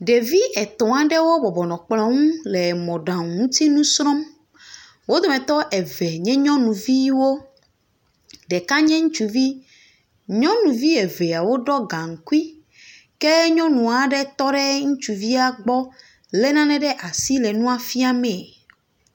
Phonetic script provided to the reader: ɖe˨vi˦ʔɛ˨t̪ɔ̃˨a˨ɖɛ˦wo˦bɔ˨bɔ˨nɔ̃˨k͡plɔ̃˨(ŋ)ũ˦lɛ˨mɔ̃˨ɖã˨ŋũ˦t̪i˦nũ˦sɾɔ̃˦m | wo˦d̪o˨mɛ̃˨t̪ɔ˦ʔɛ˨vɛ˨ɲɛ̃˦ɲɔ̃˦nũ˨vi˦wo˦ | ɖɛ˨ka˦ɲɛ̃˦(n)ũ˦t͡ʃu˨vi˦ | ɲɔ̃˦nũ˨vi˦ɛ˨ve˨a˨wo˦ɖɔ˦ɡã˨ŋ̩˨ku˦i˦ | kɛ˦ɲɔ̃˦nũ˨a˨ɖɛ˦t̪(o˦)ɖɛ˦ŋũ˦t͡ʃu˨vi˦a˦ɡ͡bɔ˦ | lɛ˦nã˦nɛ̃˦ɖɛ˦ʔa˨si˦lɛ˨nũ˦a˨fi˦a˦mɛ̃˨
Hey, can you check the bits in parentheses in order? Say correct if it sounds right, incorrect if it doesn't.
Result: correct, incorrect: ŋ, incorrect: ɔ˦

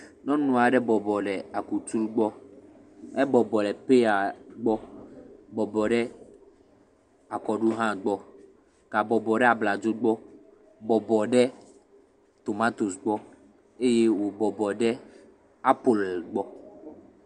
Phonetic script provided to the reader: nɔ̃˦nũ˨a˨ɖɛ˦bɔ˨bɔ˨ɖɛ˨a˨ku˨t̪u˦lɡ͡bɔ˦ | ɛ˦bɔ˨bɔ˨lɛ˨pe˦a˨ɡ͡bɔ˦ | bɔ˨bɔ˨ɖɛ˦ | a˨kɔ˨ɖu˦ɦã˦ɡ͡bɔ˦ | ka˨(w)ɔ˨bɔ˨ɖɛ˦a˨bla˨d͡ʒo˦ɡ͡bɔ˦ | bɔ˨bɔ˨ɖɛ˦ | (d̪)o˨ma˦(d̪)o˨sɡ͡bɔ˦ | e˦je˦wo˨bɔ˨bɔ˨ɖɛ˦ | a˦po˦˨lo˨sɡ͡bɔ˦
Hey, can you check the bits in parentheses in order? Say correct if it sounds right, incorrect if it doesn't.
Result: incorrect: b, incorrect: t̪, incorrect: t̪

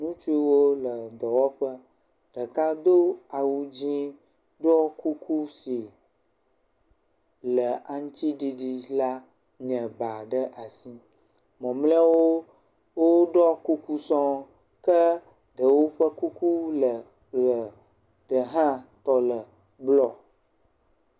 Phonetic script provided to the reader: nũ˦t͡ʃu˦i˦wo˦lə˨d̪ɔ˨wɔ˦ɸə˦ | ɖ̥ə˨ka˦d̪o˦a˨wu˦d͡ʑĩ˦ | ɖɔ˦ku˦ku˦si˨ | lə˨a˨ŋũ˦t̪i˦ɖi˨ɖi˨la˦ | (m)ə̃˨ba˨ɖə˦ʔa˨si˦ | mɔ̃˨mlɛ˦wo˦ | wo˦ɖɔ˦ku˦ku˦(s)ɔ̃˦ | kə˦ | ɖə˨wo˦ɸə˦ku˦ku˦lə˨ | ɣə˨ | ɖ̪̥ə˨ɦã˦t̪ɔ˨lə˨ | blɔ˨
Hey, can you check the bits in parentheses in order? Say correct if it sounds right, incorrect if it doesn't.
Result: incorrect: ɲ, correct

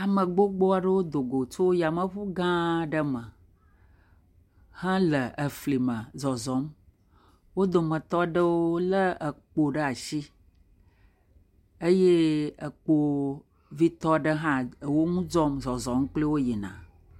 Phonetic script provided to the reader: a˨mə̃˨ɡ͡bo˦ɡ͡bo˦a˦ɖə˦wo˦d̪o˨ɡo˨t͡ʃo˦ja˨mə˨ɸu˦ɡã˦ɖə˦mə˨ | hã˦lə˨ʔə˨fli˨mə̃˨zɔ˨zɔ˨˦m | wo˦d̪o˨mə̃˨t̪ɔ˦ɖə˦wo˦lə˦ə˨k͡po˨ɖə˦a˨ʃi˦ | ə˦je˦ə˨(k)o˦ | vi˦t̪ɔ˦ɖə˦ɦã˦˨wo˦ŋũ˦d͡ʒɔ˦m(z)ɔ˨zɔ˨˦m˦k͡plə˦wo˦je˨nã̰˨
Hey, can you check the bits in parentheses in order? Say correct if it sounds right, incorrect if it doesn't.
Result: incorrect: k͡p, correct

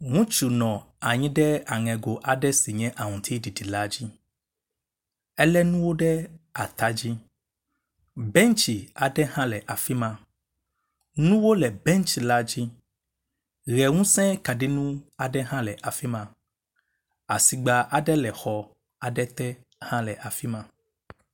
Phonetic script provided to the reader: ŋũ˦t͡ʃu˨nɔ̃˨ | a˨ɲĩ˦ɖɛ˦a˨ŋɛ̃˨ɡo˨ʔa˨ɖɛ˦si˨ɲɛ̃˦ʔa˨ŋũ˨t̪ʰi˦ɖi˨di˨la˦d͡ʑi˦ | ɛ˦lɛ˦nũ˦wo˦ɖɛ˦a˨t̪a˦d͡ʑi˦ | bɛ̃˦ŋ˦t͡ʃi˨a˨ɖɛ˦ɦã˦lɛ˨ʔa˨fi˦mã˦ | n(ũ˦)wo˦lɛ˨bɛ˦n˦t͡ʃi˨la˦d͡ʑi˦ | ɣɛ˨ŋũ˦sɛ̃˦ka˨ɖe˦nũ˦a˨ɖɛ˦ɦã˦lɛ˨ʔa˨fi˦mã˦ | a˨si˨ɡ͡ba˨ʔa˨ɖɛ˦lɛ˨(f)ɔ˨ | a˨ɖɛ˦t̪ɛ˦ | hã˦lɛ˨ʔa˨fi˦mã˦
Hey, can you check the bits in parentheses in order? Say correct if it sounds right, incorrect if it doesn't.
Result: correct, incorrect: x

